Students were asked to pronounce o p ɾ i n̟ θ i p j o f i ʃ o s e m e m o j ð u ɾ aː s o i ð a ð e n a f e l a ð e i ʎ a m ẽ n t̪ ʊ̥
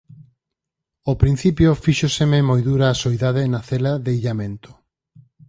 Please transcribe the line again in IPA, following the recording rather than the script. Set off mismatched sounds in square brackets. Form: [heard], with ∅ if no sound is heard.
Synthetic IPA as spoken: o p ɾ i n̟ θ i p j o f i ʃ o s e m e m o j ð u ɾ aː s o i ð a ð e n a [θ] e l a ð e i ʎ a m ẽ n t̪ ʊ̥